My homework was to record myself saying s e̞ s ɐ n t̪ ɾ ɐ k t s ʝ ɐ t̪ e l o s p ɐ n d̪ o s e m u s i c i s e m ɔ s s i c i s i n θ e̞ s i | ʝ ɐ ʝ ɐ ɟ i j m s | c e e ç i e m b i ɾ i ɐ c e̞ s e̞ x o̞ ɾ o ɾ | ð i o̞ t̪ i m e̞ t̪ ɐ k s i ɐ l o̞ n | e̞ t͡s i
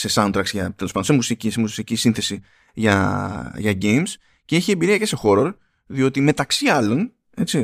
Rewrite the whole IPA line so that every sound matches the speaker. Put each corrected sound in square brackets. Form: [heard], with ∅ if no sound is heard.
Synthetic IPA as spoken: s e̞ s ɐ n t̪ ɾ ɐ k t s ʝ ɐ t̪ e l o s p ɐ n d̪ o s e m u s i c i s e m [u] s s i c i s i n θ e̞ s i | ʝ ɐ ʝ ɐ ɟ [e] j m s | c e e ç i e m b i ɾ i ɐ c e̞ s e̞ x o̞ ɾ o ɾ | ð i o̞ t̪ i m e̞ t̪ ɐ k s i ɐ l o̞ n | e̞ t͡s i